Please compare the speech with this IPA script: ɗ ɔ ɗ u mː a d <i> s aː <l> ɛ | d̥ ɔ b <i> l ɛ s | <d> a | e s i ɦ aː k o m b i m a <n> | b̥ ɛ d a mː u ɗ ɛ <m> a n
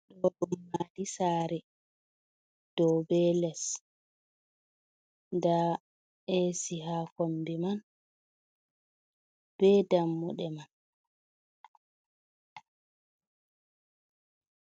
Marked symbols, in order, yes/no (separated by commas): yes, no, no, yes, yes, yes